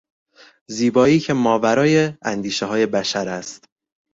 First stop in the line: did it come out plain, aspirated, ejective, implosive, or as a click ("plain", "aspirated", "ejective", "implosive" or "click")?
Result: plain